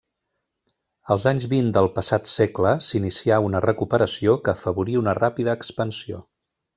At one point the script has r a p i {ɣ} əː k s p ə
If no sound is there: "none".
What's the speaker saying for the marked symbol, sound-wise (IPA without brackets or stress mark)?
ð